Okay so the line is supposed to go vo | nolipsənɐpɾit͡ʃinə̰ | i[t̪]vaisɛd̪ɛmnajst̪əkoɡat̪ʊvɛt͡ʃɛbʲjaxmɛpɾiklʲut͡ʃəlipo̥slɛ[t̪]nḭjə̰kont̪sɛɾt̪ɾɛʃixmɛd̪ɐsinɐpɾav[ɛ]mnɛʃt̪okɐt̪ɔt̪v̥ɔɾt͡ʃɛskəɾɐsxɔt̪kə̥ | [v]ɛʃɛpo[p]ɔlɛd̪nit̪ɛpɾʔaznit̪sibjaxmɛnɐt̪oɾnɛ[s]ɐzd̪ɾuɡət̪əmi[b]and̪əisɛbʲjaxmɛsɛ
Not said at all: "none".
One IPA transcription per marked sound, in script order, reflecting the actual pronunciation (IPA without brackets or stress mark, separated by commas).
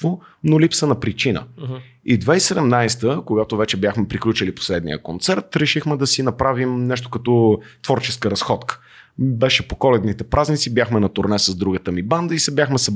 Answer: d̪, d̪, i, b, k, s, b